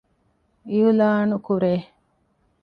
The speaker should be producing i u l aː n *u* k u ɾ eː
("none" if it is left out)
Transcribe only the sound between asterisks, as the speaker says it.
u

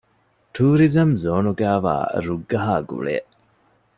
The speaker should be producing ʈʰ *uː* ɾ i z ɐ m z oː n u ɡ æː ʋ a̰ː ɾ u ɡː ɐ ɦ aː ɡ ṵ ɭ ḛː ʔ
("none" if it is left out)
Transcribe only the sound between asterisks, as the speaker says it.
uː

